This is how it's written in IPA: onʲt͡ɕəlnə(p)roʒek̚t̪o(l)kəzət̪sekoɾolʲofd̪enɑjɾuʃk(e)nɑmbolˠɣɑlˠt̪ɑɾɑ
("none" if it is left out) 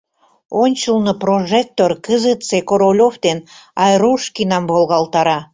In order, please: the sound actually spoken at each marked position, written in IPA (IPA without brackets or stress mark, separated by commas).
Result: p, r, i